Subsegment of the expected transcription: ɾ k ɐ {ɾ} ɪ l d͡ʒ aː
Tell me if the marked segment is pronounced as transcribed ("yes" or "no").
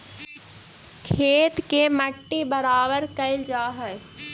no